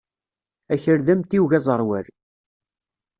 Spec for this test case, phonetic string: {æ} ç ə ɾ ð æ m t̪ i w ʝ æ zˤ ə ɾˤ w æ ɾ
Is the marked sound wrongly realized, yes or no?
no